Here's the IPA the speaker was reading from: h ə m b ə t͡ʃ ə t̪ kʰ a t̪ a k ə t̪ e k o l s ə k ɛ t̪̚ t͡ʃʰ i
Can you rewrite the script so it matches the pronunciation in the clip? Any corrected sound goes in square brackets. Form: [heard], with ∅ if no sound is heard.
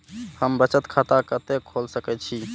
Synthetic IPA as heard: h ə m b ə t͡ʃ ə t̪ kʰ a t̪ a k ə t̪ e [kʰ] o l s ə k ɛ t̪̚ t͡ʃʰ i